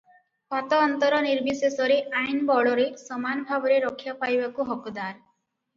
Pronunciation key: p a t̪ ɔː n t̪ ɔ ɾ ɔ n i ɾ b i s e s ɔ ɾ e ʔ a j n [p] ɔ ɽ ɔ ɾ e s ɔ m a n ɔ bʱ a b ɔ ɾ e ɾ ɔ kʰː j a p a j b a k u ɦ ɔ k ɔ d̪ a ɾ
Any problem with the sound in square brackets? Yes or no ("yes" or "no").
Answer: yes